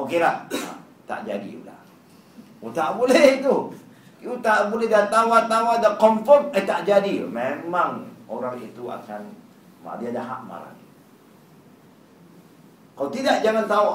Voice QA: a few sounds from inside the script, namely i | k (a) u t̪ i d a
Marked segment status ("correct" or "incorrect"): correct